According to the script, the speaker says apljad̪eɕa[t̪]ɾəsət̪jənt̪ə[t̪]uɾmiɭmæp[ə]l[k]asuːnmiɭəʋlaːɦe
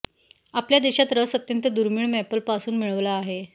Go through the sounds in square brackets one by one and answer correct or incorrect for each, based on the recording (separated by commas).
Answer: correct, incorrect, correct, incorrect